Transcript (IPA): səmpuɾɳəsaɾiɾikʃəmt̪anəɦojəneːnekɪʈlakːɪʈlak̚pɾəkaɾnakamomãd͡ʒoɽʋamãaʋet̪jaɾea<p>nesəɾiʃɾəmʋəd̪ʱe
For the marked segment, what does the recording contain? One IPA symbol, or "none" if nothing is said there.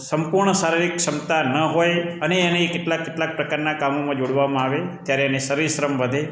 none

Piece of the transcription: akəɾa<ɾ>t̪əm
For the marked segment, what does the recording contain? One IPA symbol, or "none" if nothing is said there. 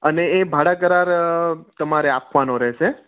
ɾ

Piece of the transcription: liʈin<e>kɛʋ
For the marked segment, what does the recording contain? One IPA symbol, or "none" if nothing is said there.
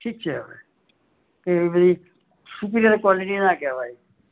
a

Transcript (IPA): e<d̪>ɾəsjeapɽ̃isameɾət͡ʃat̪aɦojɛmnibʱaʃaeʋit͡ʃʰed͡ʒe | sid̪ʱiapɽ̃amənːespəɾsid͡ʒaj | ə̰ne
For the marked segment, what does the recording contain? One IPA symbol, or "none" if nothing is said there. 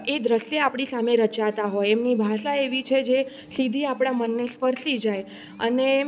d̪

